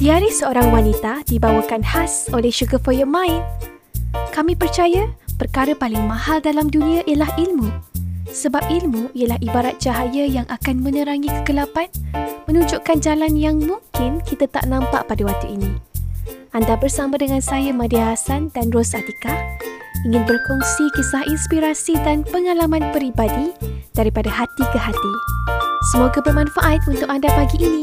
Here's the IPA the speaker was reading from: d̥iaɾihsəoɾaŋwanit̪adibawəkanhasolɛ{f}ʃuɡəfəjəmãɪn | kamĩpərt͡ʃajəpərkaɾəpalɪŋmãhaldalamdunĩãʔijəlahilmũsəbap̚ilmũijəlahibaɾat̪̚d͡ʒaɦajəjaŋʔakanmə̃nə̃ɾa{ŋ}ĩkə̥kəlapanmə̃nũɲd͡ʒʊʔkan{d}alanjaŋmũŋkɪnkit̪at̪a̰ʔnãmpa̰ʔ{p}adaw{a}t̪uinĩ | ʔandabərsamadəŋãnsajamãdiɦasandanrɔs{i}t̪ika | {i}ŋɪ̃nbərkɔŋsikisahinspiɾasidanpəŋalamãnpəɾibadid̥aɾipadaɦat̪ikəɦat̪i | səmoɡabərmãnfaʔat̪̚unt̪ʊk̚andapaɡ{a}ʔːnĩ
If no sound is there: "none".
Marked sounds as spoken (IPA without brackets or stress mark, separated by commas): h, ŋ, d͡ʒ, p, a, a, i, i